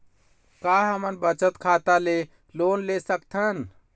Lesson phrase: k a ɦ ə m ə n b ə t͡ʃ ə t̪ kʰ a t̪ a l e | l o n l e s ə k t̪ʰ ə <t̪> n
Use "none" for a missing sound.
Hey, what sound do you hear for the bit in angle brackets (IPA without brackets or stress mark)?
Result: none